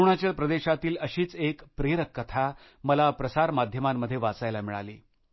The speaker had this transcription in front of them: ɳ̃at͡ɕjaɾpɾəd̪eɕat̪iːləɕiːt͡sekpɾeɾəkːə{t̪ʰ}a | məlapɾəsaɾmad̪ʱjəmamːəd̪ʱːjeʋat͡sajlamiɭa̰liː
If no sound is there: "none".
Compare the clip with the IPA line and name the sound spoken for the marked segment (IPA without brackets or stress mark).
t̪ʰ